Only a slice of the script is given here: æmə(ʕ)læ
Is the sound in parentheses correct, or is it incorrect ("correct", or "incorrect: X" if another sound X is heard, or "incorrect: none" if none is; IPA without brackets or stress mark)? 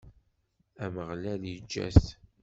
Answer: incorrect: ʁ